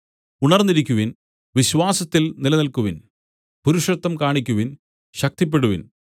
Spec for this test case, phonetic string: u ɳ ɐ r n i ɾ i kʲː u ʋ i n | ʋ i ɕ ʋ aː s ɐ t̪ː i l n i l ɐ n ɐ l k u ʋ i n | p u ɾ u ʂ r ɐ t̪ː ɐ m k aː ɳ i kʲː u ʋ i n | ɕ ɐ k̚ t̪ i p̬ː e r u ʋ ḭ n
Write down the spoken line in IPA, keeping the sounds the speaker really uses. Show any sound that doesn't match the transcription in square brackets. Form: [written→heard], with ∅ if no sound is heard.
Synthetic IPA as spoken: u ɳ ɐ r n i ɾ i kʲː u ʋ i n | ʋ i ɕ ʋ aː s ɐ t̪ː i l n i l ɐ n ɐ l k u ʋ i n | p u ɾ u ʂ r ɐ t̪ː ɐ m k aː ɳ i kʲː u ʋ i n | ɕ ɐ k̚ t̪ i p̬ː e [r→ɽ] u ʋ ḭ n